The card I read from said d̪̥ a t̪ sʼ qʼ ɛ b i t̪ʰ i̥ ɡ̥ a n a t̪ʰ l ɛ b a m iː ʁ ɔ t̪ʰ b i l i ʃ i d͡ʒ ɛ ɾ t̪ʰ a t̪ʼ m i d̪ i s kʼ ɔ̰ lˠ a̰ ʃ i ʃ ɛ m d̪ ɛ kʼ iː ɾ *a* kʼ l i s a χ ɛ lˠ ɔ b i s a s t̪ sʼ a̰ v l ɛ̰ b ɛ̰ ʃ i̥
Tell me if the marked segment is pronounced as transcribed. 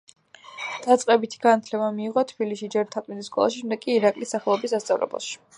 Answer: yes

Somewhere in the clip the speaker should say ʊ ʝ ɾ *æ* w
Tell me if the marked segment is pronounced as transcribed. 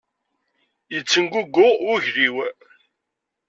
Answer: no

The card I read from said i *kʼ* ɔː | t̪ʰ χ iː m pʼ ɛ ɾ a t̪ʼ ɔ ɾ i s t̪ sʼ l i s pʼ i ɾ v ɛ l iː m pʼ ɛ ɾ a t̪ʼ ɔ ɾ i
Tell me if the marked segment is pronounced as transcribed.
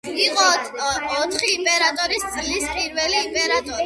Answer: no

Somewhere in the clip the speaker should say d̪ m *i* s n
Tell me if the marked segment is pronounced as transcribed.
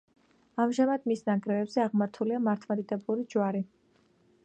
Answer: yes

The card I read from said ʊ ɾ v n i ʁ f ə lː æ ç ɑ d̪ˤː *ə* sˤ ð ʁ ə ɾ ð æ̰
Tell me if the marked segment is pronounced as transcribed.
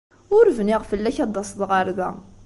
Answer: no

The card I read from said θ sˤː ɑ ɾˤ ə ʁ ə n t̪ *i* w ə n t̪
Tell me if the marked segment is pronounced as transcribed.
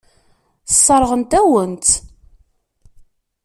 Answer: no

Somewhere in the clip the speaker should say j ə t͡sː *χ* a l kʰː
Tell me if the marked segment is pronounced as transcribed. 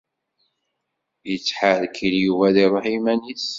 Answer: no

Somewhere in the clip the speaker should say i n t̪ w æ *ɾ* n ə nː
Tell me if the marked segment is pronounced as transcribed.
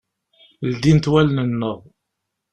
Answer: no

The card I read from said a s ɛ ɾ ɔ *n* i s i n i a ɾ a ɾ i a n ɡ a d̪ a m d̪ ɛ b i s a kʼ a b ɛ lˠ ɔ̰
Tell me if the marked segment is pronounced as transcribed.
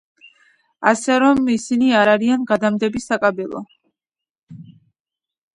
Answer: no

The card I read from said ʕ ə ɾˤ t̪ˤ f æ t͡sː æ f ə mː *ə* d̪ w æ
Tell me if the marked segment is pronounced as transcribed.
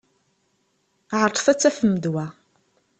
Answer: yes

